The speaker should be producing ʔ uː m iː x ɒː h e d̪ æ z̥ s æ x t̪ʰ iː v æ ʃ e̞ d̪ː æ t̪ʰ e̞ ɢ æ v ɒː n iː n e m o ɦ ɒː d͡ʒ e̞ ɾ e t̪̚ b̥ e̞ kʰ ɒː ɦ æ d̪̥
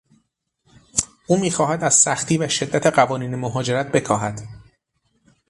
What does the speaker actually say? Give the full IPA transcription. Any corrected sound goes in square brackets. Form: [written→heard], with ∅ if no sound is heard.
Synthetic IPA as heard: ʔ uː m iː x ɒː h [e→æ] d̪ æ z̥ s æ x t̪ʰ iː v æ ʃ e̞ d̪ː æ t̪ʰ e̞ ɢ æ v ɒː n iː n e m o ɦ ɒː d͡ʒ e̞ ɾ [e→æ] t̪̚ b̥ e̞ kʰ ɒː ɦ æ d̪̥